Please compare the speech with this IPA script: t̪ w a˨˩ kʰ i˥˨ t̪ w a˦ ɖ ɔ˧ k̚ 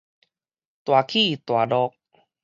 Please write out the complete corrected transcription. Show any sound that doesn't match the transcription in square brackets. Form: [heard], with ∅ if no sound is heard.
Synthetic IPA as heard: t̪ w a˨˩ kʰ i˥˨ t̪ w [a˨˩] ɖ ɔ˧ k̚